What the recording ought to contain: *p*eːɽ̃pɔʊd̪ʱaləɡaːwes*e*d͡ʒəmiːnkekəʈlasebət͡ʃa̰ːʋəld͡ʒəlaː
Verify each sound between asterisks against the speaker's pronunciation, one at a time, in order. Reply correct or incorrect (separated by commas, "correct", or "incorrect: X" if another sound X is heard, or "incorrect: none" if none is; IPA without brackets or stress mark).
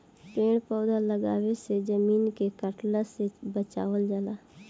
correct, correct